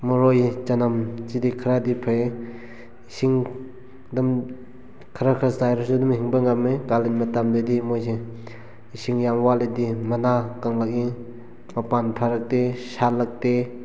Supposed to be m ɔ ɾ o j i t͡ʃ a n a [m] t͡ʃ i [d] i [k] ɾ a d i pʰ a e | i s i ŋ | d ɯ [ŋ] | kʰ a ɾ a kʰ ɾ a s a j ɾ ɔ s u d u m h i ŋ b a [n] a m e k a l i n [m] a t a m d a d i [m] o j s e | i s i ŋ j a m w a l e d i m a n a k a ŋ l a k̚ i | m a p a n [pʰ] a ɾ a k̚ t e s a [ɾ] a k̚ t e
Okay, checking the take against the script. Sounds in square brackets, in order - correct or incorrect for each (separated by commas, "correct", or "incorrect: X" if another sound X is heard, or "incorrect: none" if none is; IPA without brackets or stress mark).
correct, correct, incorrect: kʰ, incorrect: m, incorrect: ŋ, correct, correct, correct, incorrect: l